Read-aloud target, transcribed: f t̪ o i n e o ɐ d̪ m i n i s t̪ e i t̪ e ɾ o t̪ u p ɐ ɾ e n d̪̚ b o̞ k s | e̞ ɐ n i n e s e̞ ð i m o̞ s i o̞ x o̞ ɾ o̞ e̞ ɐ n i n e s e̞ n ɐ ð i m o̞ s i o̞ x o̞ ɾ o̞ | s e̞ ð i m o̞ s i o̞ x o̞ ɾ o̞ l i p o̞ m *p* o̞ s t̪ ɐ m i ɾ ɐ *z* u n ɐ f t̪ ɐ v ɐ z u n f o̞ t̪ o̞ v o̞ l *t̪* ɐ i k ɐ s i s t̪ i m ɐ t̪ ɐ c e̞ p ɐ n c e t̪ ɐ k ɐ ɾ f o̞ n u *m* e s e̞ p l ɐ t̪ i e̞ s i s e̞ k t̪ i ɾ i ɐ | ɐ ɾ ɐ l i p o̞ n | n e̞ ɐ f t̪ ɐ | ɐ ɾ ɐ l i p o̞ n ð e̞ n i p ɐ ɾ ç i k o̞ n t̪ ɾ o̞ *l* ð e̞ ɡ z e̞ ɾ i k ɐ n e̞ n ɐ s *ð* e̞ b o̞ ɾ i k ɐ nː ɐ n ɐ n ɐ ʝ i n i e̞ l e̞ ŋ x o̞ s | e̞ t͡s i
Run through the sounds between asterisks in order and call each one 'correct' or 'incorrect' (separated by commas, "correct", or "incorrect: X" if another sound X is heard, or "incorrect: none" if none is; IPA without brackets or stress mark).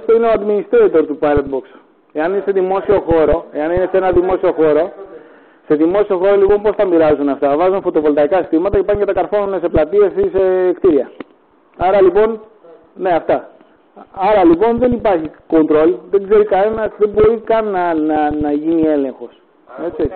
correct, correct, correct, incorrect: n, correct, correct